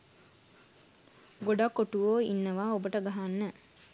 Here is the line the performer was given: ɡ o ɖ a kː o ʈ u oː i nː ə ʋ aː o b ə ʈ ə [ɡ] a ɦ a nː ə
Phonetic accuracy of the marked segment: correct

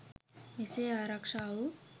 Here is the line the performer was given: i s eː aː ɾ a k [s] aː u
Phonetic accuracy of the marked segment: incorrect: ʂ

